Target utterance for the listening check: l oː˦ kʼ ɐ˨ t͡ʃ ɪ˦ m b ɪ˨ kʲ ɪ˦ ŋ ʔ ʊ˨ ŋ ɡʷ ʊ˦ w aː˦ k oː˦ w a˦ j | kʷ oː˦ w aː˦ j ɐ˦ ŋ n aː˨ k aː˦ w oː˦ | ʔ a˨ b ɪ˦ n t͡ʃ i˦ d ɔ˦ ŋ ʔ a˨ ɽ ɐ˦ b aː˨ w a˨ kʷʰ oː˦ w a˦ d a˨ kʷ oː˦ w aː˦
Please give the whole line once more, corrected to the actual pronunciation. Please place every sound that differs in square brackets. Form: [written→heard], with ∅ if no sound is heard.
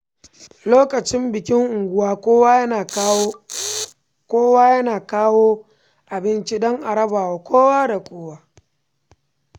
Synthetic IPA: l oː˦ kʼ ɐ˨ t͡ʃ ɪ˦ m b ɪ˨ kʲ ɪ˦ ŋ ʔ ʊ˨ ŋ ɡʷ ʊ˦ w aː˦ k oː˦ w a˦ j | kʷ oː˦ w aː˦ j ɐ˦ [ŋ→∅] n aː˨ k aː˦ w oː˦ | ʔ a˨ b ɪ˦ n t͡ʃ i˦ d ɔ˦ ŋ ʔ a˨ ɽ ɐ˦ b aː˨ w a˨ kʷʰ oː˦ w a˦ d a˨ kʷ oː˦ w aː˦